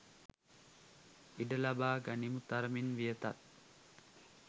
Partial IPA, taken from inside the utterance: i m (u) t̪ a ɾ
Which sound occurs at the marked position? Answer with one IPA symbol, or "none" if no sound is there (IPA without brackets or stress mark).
u